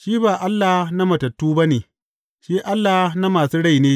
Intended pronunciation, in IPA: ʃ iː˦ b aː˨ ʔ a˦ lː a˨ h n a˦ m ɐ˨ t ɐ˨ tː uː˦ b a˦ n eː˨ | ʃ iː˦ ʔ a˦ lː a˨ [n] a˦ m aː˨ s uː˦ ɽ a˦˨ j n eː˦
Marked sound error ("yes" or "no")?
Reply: no